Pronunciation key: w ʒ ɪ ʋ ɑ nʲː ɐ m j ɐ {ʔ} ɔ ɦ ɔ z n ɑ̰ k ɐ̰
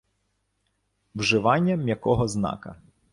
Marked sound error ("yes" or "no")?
yes